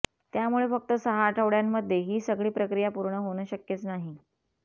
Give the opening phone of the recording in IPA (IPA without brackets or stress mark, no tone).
t̪